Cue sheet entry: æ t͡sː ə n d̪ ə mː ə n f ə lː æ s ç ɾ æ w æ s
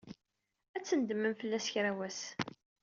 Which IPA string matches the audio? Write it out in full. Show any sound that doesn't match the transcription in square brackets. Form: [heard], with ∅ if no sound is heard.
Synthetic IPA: æ t͡sː ə n d̪ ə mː ə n f ə lː æ s ç ɾ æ w æ s